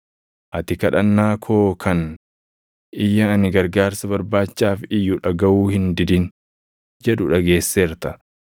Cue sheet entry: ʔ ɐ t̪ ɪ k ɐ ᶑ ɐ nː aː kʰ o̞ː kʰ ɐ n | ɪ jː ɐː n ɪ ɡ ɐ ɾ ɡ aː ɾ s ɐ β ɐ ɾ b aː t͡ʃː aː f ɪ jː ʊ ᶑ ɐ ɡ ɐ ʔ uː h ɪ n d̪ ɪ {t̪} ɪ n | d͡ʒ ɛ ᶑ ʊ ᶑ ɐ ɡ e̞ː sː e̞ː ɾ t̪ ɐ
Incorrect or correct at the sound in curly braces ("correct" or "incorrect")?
incorrect